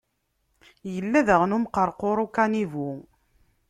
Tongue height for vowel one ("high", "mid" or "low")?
mid